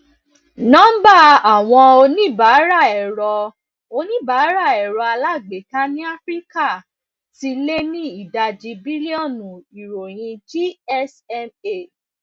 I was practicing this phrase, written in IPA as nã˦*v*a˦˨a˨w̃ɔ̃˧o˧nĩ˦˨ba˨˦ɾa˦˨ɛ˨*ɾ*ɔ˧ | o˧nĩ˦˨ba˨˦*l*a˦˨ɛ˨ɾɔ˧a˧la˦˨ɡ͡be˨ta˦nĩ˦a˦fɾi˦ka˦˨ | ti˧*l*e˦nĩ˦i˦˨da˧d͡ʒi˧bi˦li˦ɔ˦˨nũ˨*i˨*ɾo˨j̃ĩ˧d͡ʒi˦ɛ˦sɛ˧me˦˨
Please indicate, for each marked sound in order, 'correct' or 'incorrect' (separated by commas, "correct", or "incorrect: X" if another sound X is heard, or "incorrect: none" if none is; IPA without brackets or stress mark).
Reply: incorrect: b, correct, incorrect: ɾ, correct, correct